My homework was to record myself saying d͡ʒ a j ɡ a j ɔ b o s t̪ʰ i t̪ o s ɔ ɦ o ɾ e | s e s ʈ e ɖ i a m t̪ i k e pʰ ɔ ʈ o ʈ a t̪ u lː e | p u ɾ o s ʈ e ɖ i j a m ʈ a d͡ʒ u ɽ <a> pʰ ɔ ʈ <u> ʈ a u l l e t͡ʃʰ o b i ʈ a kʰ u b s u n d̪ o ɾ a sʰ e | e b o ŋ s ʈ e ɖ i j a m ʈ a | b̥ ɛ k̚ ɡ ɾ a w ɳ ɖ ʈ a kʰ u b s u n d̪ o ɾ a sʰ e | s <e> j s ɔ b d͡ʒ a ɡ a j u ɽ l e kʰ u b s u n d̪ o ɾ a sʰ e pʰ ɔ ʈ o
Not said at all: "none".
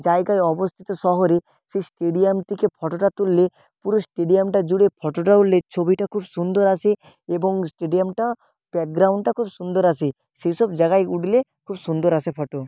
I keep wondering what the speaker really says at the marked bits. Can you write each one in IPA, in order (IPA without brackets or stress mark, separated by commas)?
e, o, e